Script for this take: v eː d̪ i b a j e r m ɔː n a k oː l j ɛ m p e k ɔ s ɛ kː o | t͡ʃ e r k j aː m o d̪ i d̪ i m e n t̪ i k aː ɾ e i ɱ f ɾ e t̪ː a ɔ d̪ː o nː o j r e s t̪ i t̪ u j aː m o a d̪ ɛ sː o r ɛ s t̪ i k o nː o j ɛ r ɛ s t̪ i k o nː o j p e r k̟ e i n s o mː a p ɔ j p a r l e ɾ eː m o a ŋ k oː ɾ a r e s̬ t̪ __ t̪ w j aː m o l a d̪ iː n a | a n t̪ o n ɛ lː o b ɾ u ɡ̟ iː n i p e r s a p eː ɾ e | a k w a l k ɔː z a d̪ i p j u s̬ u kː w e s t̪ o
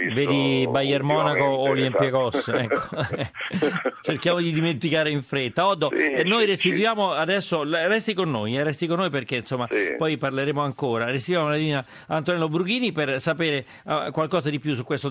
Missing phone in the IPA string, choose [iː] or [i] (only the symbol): i